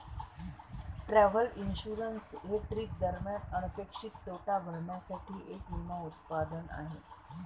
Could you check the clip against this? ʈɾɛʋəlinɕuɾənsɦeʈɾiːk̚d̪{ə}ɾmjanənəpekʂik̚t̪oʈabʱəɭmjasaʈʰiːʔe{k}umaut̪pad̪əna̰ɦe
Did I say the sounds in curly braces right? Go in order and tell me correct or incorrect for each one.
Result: correct, correct

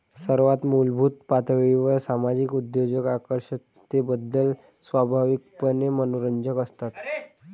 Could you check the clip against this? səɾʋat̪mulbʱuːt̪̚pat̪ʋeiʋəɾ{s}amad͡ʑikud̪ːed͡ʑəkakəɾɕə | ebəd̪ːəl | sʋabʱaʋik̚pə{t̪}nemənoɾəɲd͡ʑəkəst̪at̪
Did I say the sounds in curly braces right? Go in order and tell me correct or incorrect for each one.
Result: correct, incorrect: none

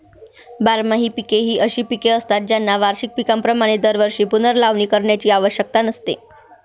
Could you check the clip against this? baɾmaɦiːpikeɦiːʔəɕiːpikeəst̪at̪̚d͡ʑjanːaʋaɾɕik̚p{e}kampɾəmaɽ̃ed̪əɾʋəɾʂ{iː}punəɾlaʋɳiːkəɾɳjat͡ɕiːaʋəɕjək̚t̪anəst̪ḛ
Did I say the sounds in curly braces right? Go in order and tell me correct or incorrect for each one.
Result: incorrect: i, correct

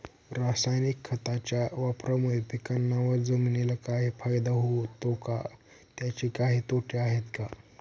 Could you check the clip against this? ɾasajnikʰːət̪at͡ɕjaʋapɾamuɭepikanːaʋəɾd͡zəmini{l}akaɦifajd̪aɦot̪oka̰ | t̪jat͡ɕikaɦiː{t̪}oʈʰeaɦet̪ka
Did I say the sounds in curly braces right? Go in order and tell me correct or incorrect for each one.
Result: correct, correct

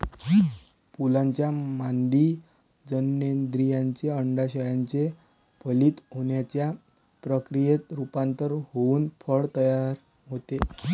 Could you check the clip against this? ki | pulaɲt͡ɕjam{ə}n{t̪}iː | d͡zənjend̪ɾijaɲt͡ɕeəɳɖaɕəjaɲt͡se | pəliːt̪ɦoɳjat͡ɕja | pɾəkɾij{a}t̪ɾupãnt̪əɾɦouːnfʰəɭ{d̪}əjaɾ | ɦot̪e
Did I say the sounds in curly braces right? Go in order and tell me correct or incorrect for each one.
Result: incorrect: a, incorrect: d̪, incorrect: e, incorrect: t̪

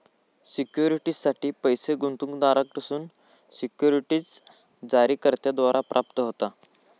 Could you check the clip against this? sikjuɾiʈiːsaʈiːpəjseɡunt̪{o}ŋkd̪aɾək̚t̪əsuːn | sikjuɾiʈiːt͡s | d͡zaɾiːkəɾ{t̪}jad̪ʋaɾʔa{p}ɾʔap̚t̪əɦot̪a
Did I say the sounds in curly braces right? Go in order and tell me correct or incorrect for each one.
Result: incorrect: u, correct, correct

